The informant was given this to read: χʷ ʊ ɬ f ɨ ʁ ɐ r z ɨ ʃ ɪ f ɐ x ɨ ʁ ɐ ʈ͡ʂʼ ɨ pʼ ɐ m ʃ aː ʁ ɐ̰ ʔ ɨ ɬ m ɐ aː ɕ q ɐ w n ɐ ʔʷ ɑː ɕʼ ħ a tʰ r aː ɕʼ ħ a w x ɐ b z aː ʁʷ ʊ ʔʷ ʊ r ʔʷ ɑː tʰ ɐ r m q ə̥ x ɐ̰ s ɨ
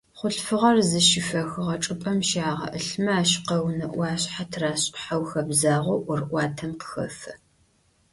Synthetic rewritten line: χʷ ʊ ɬ f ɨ ʁ ɐ r z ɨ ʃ ɪ f ɐ x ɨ ʁ ɐ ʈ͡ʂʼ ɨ pʼ ɐ m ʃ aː ʁ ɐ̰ ʔ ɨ ɬ m ɐ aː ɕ q ɐ w n ɐ ʔʷ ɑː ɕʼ ħ a tʰ r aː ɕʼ ħ a w x ɐ b z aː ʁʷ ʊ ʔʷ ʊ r ʔʷ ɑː tʰ ɐ m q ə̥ x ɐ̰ f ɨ